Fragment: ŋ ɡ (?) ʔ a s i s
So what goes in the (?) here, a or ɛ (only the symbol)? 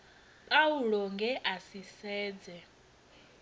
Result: ɛ